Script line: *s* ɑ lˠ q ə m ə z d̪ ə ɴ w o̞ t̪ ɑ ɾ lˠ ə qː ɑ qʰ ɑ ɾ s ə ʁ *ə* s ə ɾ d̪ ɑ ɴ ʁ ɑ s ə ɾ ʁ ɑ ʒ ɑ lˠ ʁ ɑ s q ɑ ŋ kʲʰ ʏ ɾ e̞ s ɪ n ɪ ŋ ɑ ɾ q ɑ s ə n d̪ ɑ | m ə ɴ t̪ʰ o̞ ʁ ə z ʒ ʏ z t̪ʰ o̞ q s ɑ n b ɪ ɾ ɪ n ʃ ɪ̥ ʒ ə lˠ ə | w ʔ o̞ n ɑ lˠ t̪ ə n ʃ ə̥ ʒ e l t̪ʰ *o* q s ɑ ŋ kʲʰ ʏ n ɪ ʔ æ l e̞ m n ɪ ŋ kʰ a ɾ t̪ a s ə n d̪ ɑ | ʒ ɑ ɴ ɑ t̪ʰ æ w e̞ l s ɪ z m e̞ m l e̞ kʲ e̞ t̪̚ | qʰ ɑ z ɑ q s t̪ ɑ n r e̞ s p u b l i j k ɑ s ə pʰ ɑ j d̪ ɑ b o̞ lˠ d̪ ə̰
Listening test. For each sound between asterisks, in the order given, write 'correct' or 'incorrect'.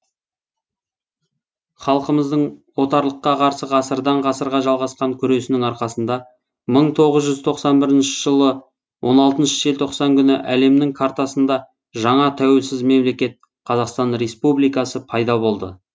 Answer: incorrect, incorrect, correct

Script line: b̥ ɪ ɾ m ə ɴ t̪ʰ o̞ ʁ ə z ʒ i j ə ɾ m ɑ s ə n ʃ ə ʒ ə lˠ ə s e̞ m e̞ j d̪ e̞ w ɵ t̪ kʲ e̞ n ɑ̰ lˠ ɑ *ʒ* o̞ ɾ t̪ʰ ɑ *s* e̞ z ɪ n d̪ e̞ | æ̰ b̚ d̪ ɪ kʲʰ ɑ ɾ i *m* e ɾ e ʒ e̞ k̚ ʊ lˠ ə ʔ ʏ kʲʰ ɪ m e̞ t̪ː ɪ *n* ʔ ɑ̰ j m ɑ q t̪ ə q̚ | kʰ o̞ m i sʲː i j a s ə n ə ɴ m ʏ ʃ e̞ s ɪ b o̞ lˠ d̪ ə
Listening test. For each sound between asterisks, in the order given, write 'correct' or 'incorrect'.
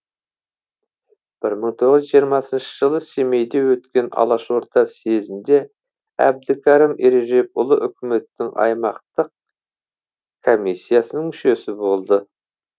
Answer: incorrect, correct, correct, incorrect

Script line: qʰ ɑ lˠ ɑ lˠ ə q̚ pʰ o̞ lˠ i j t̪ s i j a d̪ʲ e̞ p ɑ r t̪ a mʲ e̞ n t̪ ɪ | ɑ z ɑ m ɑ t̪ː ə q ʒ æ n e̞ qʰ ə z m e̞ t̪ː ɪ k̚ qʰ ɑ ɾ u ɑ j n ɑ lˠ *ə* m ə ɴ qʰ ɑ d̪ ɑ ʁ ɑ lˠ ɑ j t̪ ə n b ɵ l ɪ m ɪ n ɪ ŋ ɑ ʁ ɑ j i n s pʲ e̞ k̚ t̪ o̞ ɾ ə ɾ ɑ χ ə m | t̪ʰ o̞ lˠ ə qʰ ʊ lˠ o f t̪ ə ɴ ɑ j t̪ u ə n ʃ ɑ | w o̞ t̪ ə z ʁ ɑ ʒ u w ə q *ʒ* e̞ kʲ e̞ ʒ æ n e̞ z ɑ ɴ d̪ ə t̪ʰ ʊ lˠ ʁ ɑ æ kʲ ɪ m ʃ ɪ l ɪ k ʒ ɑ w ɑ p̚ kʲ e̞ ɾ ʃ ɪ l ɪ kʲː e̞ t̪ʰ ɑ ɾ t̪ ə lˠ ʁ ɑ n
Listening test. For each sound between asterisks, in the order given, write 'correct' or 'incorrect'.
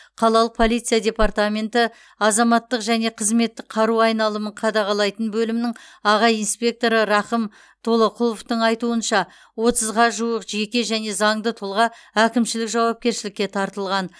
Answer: correct, correct

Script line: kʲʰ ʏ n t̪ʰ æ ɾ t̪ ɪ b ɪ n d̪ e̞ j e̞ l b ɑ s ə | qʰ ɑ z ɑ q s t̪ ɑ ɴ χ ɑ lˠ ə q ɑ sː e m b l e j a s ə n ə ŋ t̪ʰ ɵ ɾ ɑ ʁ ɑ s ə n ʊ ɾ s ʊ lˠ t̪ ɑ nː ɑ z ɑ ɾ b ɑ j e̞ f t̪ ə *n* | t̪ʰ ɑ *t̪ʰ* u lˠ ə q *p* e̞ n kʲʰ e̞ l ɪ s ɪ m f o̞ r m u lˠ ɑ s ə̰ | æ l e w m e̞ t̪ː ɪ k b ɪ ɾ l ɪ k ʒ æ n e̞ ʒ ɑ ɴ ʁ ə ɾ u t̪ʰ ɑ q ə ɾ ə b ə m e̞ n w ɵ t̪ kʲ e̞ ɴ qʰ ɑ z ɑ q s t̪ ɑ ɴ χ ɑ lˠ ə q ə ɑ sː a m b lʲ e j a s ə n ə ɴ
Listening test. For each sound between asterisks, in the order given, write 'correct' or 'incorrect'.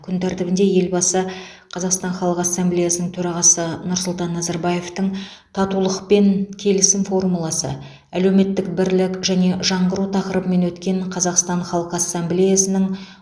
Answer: incorrect, incorrect, correct

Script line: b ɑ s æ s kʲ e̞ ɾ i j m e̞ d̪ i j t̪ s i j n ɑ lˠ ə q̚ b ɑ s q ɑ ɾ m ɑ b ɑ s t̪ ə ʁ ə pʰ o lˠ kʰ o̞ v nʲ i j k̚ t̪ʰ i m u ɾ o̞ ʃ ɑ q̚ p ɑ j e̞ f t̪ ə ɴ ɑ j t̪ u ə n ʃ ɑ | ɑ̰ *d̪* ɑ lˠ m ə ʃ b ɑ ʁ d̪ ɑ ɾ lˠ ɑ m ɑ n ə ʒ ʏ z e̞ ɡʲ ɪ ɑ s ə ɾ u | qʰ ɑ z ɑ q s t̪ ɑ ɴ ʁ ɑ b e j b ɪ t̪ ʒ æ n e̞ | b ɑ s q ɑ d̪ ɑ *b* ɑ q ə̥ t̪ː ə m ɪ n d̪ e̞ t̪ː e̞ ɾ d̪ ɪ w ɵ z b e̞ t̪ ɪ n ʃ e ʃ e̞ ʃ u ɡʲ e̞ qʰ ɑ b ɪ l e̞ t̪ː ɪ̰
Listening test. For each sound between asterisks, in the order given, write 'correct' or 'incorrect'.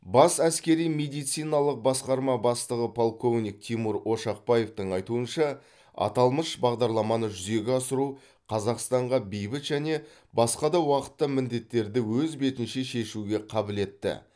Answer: incorrect, incorrect

